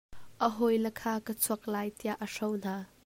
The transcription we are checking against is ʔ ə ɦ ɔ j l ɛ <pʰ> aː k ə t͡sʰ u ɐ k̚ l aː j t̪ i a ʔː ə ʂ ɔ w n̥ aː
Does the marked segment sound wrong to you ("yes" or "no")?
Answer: yes